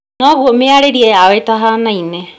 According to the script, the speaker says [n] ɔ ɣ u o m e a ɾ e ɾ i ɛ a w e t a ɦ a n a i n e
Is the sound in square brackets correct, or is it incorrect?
correct